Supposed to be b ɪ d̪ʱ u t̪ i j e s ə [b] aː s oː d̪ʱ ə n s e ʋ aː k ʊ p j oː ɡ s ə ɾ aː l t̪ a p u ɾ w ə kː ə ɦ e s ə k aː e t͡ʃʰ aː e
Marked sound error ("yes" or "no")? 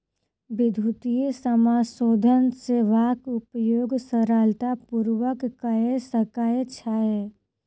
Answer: yes